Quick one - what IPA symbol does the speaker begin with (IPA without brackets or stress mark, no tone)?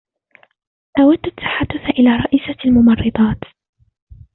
ʔ